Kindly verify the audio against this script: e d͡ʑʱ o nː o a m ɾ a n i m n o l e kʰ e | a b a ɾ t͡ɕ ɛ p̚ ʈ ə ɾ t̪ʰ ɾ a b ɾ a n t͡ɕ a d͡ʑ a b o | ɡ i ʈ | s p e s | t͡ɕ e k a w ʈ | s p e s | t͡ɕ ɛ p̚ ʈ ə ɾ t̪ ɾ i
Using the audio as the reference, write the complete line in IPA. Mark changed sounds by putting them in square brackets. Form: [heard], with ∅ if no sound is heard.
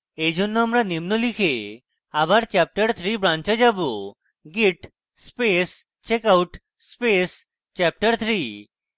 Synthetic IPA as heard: e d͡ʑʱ o nː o a m ɾ a n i m n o l [i] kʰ e | a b a ɾ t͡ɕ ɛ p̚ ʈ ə ɾ t̪ʰ ɾ [i] b ɾ a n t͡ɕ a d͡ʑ a b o | ɡ i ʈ | s p e s | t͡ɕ e k a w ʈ | s p e s | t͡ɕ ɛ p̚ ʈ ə ɾ [t̪ʰ] ɾ i